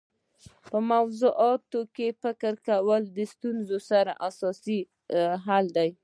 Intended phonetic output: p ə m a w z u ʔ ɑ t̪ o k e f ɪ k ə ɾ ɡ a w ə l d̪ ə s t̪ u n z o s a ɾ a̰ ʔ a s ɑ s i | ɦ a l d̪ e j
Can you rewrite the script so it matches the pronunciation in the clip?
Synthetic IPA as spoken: p ə m a w z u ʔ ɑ t̪ o k e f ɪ k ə ɾ k a w ə l d̪ ə s t̪ u n z o s a ɾ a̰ ʔ a s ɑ s i | ɦ a l d̪ a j